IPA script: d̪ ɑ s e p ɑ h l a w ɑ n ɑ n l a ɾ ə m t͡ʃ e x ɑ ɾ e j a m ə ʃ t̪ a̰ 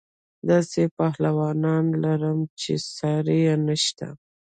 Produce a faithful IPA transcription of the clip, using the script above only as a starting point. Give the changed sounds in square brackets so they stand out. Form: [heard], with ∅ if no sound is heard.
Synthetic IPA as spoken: d̪ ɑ s e p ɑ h l a w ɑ n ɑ n l a ɾ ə m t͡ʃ e [s] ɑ ɾ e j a [n] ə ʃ t̪ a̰